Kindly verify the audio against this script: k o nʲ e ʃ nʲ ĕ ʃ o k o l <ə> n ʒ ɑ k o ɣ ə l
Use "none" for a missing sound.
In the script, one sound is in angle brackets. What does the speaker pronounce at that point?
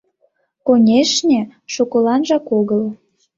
ɑ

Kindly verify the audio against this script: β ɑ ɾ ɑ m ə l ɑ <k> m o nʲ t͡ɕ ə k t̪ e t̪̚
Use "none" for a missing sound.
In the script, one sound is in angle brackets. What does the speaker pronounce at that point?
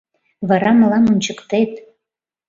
none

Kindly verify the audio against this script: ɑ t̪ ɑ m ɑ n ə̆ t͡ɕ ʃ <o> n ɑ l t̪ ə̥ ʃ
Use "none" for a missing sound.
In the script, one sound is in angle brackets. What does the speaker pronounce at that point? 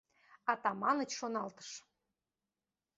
o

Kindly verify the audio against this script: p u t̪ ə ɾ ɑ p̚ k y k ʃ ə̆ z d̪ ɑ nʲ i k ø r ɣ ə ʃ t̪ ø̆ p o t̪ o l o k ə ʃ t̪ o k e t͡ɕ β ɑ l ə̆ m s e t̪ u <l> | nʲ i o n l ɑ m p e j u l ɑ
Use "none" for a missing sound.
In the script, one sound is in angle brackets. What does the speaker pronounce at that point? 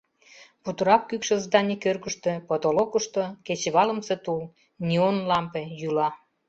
l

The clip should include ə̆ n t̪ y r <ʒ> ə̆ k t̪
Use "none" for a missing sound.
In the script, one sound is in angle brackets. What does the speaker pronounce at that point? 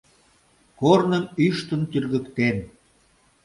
ɣ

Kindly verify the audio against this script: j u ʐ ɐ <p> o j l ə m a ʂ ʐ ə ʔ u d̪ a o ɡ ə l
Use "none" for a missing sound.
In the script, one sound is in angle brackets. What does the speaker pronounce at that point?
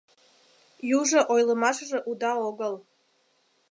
ʔ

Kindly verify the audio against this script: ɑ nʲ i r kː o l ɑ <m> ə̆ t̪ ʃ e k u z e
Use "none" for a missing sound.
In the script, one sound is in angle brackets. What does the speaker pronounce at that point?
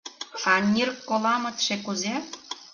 m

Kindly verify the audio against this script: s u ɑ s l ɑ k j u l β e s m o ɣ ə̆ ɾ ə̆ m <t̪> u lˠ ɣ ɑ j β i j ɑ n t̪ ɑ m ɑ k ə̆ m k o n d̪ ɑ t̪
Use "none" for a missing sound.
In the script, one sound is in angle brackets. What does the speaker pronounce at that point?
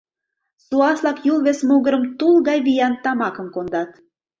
t̪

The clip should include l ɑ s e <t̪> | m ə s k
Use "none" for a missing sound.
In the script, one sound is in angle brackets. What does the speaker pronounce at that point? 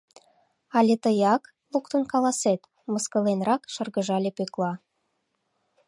t̪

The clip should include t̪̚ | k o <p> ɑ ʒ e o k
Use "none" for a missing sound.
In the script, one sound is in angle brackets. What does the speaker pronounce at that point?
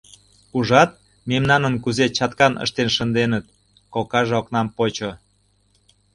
k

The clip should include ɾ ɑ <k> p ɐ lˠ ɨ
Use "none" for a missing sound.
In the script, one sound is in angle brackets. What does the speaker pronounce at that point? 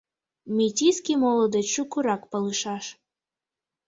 k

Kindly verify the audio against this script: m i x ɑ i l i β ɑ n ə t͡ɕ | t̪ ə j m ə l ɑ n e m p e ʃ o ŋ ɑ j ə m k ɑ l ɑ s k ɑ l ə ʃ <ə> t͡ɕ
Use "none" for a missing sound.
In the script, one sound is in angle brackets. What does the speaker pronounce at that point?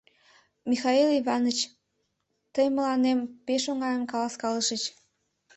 ə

